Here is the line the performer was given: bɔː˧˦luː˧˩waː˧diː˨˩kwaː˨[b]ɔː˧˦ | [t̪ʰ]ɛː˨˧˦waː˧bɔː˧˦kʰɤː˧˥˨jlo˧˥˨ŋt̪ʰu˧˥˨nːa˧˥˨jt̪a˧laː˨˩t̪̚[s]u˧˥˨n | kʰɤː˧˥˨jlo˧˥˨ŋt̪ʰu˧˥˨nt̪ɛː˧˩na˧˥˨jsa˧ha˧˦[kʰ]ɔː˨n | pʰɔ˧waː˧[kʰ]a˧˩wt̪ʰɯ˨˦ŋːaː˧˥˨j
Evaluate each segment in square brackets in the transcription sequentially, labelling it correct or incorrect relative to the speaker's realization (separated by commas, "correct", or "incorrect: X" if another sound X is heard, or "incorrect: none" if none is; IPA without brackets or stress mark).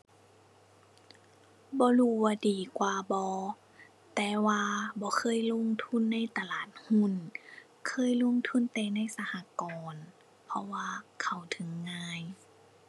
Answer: correct, incorrect: t̪, incorrect: h, incorrect: k, correct